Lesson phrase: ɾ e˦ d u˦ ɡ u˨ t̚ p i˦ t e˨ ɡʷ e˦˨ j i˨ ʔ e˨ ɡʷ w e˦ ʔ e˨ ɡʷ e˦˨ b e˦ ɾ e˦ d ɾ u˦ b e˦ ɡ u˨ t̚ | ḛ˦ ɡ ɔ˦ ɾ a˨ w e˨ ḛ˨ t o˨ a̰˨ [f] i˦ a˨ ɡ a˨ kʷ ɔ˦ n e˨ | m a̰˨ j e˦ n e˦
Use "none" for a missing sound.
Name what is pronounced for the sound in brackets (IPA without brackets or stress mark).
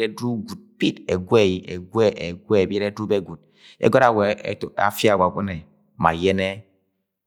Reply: f